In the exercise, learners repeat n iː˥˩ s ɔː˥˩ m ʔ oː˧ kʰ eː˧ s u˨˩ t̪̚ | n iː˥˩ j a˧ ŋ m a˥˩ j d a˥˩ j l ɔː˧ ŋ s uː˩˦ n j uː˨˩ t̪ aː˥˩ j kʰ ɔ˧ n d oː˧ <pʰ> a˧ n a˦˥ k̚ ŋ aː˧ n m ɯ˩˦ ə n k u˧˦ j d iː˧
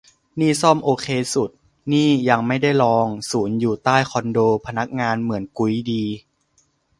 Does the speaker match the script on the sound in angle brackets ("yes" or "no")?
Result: yes